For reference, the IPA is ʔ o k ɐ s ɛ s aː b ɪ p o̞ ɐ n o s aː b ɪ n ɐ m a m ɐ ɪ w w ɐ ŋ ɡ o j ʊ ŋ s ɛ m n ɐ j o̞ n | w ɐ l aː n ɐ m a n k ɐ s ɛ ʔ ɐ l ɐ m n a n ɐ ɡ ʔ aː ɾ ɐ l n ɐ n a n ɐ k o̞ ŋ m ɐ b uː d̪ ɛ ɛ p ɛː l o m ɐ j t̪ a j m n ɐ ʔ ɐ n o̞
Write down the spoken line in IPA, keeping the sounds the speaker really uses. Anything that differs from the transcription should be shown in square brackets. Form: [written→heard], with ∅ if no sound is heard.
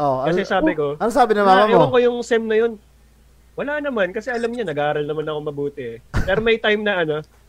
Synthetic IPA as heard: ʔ o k ɐ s ɛ s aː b ɪ [p→k] o̞ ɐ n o s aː b ɪ n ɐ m a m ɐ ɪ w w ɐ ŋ [ɡ→k] o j ʊ ŋ s ɛ m n ɐ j o̞ n | w ɐ l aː n ɐ m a n k ɐ s ɛ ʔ ɐ l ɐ m [n→ɲ] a n ɐ ɡ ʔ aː ɾ ɐ l n ɐ [n→m] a n ɐ k o̞ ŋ m ɐ b uː [d̪→t̪] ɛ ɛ p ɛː [l→ɾ] o m ɐ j t̪ a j m n ɐ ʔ ɐ n o̞